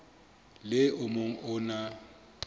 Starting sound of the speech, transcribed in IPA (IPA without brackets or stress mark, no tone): l